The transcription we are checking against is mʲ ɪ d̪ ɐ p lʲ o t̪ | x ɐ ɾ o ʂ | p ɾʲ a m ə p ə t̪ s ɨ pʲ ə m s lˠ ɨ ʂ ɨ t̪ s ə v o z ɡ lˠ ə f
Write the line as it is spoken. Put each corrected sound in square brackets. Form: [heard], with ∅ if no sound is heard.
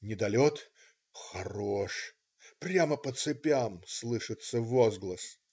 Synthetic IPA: [nʲ] ɪ d̪ ɐ [∅] lʲ o t̪ | x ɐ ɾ o ʂ | p ɾʲ a m ə p ə t̪ s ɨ pʲ [a] m s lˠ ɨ ʂ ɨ t̪ s ə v o z ɡ lˠ ə [s]